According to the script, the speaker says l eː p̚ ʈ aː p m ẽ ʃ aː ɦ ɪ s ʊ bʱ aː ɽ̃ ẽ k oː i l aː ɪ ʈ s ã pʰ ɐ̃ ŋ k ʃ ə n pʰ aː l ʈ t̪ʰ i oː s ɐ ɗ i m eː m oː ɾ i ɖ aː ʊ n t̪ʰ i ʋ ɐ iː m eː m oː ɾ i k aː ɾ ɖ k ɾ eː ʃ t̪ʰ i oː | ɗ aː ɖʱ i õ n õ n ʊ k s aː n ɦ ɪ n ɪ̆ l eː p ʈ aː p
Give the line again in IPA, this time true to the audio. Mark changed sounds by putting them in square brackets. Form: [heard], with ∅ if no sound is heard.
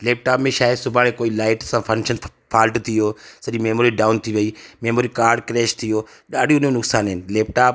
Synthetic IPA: l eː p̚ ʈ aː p m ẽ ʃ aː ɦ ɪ s ʊ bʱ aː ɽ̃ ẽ k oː i l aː ɪ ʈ s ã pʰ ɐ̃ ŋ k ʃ ə n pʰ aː l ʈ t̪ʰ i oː s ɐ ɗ i m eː m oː ɾ i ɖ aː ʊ n t̪ʰ i ʋ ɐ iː m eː m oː ɾ i k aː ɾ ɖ k ɾ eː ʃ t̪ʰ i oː | ɗ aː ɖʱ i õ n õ n ʊ k s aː n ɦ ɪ n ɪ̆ l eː p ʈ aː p